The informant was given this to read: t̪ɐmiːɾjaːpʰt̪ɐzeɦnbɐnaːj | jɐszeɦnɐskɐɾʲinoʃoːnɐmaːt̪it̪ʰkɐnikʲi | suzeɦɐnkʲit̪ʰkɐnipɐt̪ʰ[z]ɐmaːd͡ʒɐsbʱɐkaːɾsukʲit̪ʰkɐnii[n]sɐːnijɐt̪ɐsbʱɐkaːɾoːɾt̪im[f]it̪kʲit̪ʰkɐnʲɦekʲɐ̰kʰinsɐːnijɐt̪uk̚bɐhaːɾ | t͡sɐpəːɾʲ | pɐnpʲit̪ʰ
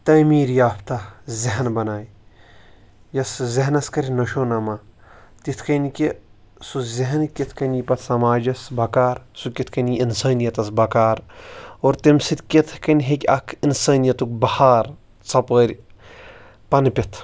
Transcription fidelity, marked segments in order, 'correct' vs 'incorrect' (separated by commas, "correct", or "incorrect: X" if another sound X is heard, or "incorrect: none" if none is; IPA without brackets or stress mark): incorrect: s, correct, incorrect: s